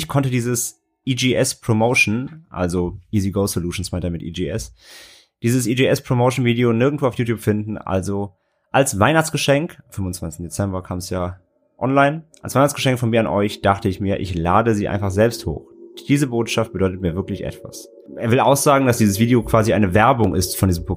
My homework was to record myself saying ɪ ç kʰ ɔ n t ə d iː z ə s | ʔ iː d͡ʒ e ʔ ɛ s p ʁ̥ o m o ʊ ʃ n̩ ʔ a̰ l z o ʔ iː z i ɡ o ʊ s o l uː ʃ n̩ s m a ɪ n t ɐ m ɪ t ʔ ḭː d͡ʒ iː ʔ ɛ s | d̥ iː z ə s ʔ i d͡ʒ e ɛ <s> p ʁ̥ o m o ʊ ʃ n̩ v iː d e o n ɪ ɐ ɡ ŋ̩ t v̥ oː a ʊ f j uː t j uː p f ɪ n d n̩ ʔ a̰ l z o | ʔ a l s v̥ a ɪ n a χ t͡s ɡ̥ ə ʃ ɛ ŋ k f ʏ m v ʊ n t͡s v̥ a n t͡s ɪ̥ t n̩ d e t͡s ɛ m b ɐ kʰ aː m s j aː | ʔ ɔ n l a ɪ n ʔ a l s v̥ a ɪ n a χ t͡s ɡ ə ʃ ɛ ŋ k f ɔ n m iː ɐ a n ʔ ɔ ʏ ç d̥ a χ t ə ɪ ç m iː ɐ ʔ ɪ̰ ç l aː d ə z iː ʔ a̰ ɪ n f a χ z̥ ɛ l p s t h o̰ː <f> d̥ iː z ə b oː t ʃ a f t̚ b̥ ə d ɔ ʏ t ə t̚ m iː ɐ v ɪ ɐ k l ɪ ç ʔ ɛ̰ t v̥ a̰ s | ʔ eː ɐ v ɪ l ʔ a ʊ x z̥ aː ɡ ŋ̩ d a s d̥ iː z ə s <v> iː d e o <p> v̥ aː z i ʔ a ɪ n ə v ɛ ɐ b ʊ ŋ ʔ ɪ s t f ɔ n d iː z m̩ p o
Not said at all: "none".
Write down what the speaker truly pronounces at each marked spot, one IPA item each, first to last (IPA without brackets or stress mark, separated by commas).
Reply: s, x, v, k